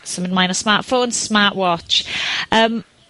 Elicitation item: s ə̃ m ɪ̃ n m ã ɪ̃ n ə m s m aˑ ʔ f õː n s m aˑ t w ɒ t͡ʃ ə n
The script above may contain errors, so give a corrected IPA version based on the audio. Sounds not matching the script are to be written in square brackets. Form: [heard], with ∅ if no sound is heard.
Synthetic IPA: s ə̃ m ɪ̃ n m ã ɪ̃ n ə [∅] s m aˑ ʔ f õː n s m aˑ [ʔ] w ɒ t͡ʃ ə [m]